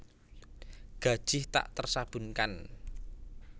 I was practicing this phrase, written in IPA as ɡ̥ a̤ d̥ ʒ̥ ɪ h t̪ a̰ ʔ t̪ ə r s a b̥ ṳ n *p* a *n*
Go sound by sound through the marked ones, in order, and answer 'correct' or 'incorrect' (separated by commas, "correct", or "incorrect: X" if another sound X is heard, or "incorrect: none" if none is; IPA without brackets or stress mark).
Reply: incorrect: k, correct